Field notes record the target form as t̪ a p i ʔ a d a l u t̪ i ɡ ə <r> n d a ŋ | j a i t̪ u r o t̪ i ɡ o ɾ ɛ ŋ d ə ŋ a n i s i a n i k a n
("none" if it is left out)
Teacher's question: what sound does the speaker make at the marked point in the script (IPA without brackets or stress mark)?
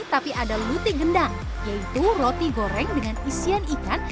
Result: none